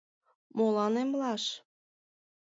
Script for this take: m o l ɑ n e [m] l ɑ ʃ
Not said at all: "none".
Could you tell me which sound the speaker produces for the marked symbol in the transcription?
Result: m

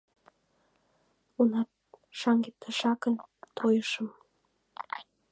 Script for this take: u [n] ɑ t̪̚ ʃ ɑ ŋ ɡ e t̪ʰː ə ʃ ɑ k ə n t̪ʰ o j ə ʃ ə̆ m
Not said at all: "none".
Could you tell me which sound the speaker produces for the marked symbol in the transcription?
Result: n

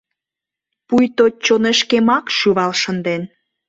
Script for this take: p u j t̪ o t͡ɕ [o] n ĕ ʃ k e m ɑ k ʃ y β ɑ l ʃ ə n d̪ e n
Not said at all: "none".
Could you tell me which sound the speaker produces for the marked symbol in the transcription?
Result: o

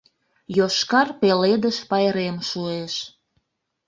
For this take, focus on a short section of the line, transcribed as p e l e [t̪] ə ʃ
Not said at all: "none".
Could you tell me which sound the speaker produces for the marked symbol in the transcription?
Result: d̪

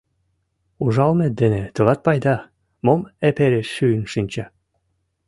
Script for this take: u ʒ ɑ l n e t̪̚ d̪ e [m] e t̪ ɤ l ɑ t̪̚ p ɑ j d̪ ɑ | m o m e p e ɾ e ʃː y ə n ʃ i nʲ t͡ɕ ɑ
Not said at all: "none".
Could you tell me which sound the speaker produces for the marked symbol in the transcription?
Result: n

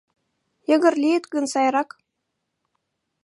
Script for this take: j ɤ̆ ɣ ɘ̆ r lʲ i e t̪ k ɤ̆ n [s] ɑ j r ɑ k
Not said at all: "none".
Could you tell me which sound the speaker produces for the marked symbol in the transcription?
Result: s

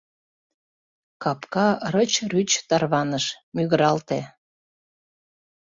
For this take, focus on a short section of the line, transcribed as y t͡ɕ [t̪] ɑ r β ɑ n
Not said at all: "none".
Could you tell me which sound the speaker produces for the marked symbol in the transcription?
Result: t̪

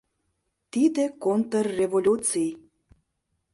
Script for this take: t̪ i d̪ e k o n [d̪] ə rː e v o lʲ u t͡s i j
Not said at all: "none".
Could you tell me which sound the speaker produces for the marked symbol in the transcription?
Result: t̪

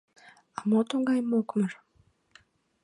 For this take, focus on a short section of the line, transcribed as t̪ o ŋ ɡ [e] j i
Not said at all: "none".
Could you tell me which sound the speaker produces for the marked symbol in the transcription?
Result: a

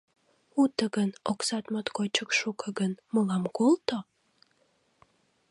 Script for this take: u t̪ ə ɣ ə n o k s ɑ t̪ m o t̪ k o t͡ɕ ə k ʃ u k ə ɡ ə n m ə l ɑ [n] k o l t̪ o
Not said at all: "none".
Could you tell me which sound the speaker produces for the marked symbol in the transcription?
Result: m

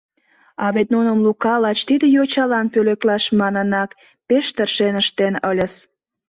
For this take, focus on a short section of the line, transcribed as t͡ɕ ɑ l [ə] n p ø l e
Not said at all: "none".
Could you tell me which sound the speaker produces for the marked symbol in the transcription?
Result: ɑ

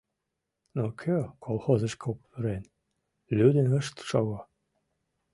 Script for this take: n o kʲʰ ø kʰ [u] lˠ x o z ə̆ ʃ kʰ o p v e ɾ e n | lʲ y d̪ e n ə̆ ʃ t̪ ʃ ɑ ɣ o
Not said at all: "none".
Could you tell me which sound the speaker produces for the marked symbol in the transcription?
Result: o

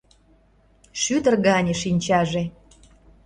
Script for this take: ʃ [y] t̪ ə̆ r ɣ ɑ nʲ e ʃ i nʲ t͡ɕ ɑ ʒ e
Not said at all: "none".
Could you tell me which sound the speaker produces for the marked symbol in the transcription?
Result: y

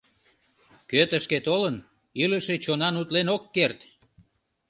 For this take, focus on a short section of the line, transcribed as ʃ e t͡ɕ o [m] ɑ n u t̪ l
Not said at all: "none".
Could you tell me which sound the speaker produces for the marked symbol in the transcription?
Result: n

